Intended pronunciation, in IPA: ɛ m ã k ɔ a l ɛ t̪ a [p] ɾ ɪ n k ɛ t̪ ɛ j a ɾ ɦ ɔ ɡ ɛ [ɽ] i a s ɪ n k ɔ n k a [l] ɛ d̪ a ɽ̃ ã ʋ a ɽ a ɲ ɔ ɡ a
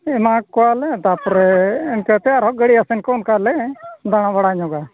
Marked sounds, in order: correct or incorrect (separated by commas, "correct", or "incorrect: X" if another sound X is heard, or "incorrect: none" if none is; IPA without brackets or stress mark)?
correct, correct, correct